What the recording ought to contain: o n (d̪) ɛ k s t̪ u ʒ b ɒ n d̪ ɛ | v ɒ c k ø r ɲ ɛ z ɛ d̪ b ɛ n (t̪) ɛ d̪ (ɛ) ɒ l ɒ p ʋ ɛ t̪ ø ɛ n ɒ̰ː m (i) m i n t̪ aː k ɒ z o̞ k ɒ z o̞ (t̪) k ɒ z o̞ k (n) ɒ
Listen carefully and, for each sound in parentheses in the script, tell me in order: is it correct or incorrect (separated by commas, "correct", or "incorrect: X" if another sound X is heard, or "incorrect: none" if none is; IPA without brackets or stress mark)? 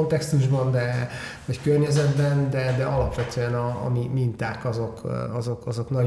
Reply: incorrect: t̪, incorrect: d̪, correct, correct, incorrect: none, correct